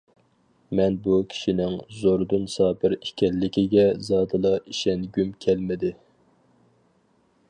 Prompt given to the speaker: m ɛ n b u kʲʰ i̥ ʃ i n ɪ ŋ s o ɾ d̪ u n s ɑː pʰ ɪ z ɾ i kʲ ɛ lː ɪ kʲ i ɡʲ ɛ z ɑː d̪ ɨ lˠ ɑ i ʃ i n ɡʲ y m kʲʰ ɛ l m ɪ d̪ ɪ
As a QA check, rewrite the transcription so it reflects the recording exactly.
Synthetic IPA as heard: m ɛ n b u kʲʰ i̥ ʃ i n ɪ ŋ z o ɾ d̪ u n s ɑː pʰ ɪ ɾ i kʲ ɛ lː ɪ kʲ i ɡʲ ɛ z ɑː d̪ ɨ lˠ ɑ i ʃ ɛ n ɡʲ y m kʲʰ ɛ l m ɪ d̪ ɪ

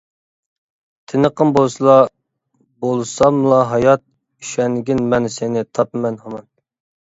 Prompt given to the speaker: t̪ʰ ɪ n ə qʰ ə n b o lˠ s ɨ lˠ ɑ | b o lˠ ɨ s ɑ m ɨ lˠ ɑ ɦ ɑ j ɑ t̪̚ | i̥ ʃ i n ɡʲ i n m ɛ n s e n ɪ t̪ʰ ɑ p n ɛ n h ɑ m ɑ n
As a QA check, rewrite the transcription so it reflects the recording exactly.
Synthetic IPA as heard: t̪ʰ ɪ n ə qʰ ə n b o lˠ s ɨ lˠ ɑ | b o lˠ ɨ s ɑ m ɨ lˠ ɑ ɦ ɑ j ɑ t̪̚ | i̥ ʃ ɛ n ɡʲ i n m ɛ n s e n ɪ t̪ʰ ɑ p m ɛ n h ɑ m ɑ n

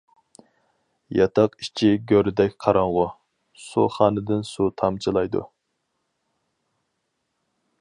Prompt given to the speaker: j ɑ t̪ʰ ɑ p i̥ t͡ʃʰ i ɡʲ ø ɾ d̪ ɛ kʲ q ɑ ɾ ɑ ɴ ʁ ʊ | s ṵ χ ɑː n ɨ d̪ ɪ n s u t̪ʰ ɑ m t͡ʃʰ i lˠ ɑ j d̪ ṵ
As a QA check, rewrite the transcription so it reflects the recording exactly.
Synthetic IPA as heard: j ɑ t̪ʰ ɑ q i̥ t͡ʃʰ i ɡʲ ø ɾ d̪ ɛ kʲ qʰ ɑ ɾ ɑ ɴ ʁ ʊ | s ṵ χ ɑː n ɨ d̪ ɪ n s u t̪ʰ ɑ m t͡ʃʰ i lˠ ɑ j d̪ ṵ

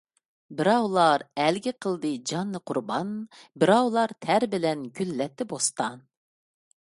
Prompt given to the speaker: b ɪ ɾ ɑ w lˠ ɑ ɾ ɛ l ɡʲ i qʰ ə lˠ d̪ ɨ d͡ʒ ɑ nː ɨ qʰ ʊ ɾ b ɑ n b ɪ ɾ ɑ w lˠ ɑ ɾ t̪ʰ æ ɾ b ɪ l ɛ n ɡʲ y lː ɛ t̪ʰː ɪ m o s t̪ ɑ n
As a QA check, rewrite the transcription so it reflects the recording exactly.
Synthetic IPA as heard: b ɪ ɾ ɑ w lˠ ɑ ɾ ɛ l ɡʲ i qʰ ə lˠ d̪ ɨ d͡ʒ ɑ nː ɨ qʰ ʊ ɾ b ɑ n b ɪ ɾ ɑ w lˠ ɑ ɾ t̪ʰ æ ɾ b ɪ l ɛ n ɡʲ y lː ɛ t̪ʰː ɪ b o s t̪ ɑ n

